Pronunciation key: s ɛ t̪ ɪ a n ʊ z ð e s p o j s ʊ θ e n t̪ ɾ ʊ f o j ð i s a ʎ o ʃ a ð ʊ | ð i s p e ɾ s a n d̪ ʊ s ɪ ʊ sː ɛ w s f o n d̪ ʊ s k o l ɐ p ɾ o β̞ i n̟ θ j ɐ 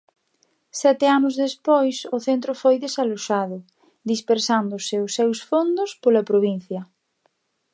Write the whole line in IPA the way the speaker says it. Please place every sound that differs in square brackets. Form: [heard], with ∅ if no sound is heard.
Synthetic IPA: s ɛ t̪ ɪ a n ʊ z ð e s p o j s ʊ θ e n t̪ ɾ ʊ f o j ð [e] s a [l] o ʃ a ð ʊ | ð i s p e ɾ s a n d̪ ʊ s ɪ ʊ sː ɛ w s f o n d̪ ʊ s [p] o l ɐ p ɾ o β̞ i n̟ θ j ɐ

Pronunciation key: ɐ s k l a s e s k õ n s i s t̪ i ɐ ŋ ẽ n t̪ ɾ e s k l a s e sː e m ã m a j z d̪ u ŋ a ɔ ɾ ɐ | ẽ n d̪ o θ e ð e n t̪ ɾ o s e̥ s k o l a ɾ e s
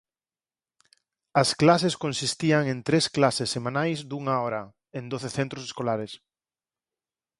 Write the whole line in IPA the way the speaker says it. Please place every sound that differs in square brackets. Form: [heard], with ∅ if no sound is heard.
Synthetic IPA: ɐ s k l a s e s k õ n s i s t̪ i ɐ ŋ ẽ n t̪ ɾ e s k l a s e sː e m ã [n] a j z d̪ u ŋ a ɔ ɾ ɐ | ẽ n d̪ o θ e [θ] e n t̪ ɾ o s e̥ s k o l a ɾ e s

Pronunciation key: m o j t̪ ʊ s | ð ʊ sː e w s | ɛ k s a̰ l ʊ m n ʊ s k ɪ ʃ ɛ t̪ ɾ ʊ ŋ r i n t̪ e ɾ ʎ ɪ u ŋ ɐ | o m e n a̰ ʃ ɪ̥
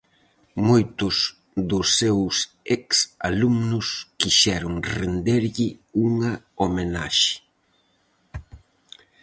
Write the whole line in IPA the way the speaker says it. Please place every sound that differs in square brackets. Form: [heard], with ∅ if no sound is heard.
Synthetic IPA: m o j t̪ ʊ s | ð ʊ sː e w s | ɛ k s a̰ l [u] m n ʊ s k [i] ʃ ɛ [∅] ɾ ʊ ŋ r [e] n [d̪] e ɾ ʎ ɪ u ŋ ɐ | o m e n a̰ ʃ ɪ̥

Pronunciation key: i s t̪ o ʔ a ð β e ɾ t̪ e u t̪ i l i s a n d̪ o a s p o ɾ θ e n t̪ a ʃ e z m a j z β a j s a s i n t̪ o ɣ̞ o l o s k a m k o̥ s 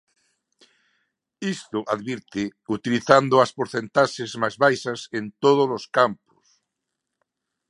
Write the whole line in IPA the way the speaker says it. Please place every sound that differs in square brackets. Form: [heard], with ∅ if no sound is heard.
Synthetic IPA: i s t̪ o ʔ a ð β [i] ɾ t̪ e u t̪ i l i [θ] a n d̪ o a s p o ɾ θ e n t̪ a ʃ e z m a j z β a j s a s [e] n t̪ o [ð̞] o l o s k a m [p] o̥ s

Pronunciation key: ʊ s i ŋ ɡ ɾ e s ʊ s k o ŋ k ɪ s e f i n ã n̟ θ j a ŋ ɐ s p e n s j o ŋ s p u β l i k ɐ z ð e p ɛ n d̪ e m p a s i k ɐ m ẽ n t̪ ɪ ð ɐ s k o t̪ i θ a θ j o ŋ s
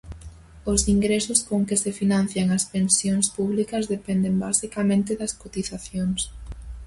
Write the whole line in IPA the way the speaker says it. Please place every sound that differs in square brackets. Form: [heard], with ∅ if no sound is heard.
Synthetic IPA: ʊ s i ŋ ɡ ɾ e s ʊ s k o ŋ k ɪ s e f i n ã n̟ θ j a ŋ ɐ s p e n s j o ŋ s p u β l i k ɐ z ð e p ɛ n d̪ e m [b] a s i k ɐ m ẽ n t̪ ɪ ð ɐ s k o t̪ i θ a θ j o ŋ s

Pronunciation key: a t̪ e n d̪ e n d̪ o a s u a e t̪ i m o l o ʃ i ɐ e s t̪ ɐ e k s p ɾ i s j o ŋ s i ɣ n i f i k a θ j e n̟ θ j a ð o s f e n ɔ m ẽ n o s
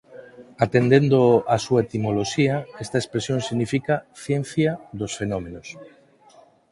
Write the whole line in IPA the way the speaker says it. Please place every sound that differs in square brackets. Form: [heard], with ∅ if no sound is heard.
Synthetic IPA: a t̪ e n d̪ e n d̪ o a s u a e t̪ i m o l o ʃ i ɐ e s t̪ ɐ e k s p ɾ [e] s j o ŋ s i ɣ n i f i k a θ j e n̟ θ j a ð o s f e n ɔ m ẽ n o s

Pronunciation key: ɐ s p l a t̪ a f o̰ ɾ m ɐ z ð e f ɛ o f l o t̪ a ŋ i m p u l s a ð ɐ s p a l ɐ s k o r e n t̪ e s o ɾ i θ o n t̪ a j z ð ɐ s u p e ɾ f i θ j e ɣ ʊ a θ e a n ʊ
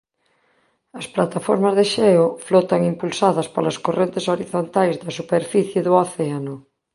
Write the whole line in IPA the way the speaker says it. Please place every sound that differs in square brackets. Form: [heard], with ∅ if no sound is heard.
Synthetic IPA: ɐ s p l a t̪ a f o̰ ɾ m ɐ z ð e [ʃ] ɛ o f l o t̪ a ŋ i m p u l s a ð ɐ s p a l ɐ s k o r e n t̪ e s o ɾ i θ o n t̪ a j z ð ɐ s u p e ɾ f i θ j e [ð] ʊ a θ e a n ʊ

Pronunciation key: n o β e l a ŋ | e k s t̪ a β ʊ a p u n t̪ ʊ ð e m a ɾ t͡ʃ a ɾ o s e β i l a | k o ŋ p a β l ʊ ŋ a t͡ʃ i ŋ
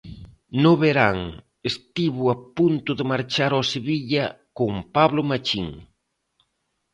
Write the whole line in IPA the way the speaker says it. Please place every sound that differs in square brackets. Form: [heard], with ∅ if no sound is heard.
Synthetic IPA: n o β e [ɾ] a ŋ | e [∅] s t̪ [i] β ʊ a p u n t̪ ʊ ð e m a ɾ t͡ʃ a ɾ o s e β i [ʎ] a | k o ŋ p a β l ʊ [m] a t͡ʃ i ŋ

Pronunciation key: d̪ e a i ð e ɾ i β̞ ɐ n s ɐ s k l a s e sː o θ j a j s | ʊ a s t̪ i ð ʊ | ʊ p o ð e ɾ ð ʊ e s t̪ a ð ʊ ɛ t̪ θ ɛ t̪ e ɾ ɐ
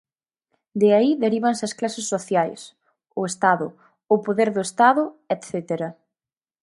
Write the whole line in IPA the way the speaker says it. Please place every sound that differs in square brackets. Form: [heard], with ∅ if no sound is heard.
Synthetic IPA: d̪ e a i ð e ɾ i β̞ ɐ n s ɐ s k l a s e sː o θ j a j s | ʊ [e] s t̪ [a] ð ʊ | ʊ p o ð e ɾ ð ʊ e s t̪ a ð ʊ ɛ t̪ θ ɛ t̪ e ɾ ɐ

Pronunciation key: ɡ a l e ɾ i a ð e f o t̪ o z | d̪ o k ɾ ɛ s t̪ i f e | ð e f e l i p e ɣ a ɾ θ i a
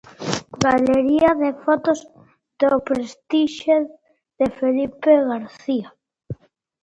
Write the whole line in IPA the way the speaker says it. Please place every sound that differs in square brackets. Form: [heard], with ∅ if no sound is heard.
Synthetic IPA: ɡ a l e ɾ i a ð e f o t̪ o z | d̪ o [p] ɾ [e] s t̪ i [ʃ] e | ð e f e l i p e ɣ a ɾ θ i a

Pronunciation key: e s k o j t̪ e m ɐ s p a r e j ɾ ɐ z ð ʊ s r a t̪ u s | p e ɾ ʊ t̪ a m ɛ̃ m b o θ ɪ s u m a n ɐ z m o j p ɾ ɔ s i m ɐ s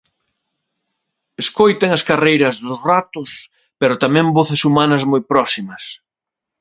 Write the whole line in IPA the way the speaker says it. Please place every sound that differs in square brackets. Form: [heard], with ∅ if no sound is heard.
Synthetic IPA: e s k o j t̪ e [ŋ] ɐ s [k] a r e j ɾ ɐ z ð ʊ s r a t̪ [ʊ] s | p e ɾ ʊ t̪ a m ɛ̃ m b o θ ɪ s u m a n ɐ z m o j p ɾ ɔ s i m ɐ s

